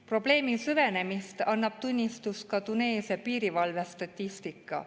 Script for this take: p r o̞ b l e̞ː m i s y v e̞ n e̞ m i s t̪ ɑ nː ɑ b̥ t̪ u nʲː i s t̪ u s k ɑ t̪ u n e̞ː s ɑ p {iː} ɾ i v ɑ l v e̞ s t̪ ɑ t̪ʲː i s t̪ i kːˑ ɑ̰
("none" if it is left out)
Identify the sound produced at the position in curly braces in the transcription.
iː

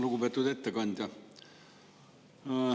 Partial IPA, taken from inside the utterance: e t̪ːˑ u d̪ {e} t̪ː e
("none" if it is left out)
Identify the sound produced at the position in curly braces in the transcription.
e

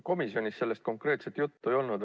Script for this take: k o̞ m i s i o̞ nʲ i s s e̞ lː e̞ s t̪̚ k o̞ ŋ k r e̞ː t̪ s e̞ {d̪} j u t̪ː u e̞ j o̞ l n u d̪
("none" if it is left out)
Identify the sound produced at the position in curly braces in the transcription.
t̪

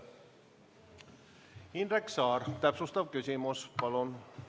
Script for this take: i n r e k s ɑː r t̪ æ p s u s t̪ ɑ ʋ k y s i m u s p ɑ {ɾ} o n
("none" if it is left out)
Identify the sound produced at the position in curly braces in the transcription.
l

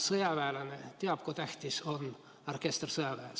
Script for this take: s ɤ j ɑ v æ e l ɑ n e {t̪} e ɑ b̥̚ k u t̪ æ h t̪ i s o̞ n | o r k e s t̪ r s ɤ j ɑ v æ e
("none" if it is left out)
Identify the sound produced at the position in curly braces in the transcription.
t̪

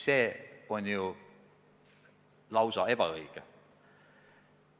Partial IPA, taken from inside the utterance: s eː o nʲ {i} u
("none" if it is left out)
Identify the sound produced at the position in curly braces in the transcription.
j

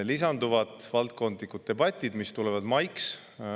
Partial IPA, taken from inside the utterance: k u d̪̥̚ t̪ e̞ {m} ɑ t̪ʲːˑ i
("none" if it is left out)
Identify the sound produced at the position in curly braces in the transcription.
b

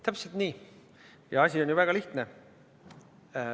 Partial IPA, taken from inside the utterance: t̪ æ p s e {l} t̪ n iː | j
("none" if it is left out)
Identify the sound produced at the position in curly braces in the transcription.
l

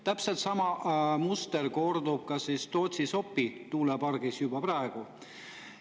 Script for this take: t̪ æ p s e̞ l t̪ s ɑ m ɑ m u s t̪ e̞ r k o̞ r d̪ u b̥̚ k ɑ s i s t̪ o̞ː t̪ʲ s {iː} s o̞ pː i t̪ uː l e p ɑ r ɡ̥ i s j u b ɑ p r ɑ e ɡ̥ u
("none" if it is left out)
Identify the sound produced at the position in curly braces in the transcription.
i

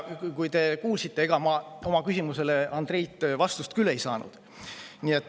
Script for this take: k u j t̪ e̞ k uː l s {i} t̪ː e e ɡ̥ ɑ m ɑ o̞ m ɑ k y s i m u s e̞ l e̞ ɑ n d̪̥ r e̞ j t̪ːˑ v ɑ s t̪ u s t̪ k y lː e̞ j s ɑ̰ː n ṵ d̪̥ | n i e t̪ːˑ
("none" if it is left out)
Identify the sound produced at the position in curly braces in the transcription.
i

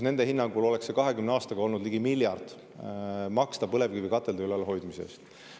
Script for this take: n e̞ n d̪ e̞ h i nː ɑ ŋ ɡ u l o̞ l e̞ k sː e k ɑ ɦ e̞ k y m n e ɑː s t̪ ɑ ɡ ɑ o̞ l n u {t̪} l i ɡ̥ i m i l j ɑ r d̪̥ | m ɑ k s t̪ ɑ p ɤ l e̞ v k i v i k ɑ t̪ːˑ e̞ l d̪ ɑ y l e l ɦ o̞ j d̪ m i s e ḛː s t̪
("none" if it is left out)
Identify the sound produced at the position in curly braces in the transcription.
d̪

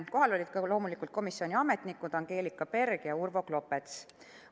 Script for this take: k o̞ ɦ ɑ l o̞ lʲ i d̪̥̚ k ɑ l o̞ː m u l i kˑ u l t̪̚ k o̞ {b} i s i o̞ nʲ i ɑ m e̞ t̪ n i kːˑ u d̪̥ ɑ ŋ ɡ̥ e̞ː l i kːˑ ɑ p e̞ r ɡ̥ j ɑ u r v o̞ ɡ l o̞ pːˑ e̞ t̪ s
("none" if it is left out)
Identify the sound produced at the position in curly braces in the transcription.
m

